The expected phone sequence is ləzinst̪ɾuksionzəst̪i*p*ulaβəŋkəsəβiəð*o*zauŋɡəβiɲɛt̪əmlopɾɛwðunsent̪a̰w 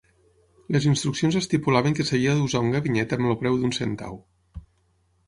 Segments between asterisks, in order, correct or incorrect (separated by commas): correct, incorrect